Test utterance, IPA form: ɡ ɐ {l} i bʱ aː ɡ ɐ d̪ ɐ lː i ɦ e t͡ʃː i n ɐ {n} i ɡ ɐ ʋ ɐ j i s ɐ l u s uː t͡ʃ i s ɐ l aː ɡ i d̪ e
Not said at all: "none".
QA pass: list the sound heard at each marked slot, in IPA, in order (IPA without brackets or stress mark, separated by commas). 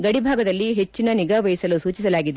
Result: ɽ, n